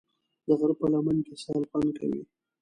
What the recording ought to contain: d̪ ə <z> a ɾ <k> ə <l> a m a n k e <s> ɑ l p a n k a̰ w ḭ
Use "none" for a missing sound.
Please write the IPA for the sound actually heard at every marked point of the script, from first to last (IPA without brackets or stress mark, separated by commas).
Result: ɣ, p, l, s